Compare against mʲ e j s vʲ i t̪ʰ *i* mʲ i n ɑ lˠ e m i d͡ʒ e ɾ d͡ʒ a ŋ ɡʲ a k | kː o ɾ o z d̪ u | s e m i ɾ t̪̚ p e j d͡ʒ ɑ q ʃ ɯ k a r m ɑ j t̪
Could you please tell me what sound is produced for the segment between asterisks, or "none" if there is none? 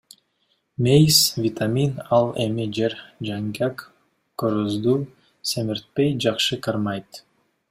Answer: a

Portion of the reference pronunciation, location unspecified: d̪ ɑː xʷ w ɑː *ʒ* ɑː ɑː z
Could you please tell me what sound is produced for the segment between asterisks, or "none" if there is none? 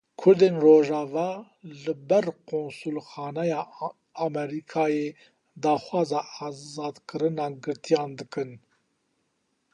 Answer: z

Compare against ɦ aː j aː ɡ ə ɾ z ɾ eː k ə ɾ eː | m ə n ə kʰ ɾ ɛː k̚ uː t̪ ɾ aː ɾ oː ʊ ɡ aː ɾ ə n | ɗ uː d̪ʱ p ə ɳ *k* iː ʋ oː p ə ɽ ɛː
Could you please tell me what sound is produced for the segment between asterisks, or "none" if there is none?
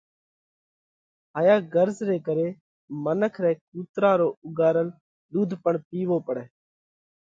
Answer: p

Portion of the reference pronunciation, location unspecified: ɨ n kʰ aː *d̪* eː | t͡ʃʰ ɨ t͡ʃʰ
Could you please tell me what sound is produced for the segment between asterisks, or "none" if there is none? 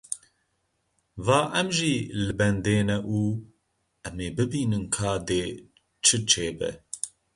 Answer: d̪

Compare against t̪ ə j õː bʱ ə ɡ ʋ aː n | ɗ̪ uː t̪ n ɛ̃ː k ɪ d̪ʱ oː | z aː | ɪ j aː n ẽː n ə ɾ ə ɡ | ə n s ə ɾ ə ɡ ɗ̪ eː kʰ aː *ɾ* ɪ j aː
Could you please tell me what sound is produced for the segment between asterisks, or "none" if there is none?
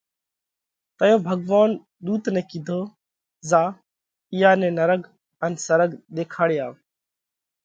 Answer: ɽ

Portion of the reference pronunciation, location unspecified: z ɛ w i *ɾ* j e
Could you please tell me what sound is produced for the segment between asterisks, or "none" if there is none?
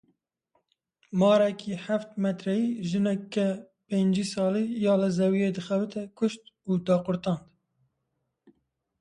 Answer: none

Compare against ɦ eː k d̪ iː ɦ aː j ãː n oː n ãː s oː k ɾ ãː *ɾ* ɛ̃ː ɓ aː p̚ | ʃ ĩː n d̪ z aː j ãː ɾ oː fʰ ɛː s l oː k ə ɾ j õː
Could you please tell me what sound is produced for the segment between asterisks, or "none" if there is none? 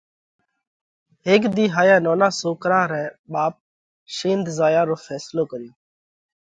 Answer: ɾ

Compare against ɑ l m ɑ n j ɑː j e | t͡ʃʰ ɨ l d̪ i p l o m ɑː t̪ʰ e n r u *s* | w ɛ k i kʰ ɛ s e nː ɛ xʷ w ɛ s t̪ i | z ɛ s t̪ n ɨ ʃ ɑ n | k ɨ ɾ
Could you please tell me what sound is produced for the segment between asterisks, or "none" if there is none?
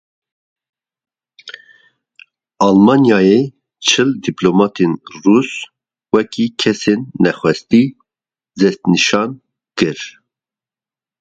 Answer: s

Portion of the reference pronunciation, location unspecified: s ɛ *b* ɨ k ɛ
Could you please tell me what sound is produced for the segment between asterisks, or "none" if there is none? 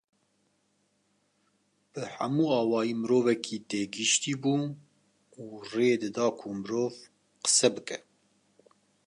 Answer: b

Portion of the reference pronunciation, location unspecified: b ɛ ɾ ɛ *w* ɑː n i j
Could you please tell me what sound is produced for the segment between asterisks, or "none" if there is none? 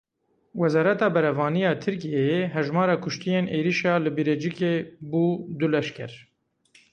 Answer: v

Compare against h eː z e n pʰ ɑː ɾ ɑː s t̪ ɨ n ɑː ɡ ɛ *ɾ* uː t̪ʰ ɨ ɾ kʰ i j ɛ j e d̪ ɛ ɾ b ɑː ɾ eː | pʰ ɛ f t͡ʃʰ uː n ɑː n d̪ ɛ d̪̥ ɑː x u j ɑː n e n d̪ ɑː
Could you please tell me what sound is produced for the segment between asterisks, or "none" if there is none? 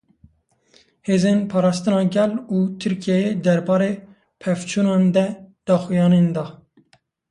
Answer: l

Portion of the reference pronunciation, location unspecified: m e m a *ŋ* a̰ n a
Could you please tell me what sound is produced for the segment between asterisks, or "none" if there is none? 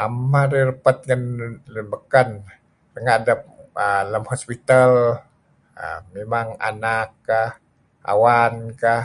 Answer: ŋ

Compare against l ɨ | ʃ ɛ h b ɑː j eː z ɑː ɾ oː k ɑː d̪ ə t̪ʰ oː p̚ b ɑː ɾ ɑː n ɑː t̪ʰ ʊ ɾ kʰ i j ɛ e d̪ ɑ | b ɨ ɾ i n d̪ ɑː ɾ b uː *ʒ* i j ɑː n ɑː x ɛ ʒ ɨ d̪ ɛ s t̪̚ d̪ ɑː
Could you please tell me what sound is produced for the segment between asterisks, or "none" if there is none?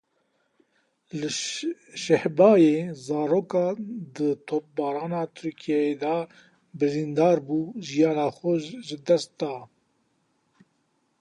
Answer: ʒ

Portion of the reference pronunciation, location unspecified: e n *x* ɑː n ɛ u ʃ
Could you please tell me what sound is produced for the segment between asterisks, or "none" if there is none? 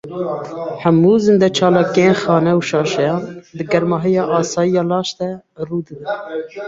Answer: x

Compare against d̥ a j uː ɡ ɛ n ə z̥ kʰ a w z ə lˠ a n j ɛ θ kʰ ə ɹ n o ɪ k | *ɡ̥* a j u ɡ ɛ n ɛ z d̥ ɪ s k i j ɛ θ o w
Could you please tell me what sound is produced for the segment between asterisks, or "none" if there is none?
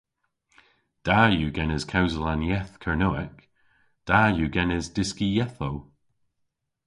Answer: d̥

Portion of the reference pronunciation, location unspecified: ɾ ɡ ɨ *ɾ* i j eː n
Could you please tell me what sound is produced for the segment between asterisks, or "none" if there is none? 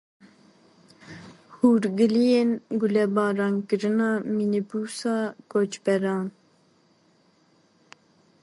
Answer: l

